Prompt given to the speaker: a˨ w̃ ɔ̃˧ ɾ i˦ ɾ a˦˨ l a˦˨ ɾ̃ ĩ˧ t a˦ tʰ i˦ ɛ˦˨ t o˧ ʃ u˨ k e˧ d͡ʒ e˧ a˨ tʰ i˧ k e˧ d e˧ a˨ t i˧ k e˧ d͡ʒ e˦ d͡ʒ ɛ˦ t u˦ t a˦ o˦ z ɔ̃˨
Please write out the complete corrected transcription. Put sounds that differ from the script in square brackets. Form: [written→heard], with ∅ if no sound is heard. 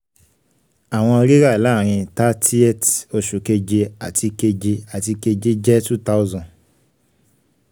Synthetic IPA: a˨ w̃ ɔ̃˧ ɾ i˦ ɾ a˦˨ l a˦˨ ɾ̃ ĩ˧ t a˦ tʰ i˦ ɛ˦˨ t o˧ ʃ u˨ k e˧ d͡ʒ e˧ a˨ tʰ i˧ k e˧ [d→d͡ʒ] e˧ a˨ t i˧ k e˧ d͡ʒ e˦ d͡ʒ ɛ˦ t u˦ t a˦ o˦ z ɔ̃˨